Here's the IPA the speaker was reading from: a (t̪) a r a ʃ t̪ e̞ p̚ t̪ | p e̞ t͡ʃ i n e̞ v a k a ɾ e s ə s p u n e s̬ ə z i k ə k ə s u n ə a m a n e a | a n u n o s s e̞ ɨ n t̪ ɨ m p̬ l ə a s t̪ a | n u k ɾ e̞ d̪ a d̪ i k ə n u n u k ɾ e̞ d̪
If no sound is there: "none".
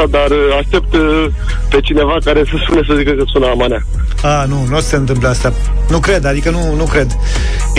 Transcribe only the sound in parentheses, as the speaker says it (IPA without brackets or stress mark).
d̪